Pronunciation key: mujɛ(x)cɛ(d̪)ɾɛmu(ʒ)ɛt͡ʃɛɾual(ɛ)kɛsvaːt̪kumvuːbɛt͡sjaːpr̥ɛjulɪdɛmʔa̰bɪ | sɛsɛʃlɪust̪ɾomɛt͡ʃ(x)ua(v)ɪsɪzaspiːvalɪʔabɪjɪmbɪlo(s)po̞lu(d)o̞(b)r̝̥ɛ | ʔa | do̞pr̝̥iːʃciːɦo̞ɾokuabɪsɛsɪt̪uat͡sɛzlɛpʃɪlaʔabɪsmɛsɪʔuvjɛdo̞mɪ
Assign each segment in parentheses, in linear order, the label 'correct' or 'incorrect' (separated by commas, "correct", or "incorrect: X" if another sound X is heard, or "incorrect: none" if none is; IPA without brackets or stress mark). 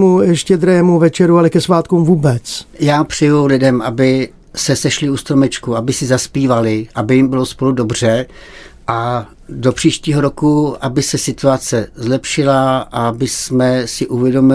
incorrect: ʃ, correct, incorrect: v, correct, incorrect: k, incorrect: b, correct, correct, correct